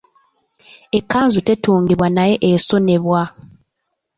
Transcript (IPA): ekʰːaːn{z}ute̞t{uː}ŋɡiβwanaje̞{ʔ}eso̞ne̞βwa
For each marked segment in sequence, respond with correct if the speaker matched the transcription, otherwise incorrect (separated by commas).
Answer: correct, correct, correct